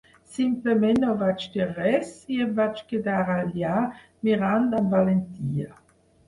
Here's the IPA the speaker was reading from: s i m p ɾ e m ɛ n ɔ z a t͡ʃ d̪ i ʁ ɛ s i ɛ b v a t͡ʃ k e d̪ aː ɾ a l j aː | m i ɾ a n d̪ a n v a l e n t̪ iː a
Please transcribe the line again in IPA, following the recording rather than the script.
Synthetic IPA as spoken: s i m p l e m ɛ n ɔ v a t͡ʃ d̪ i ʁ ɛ s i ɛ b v a t͡ʃ k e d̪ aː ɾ a l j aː | m i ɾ a n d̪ a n v a l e n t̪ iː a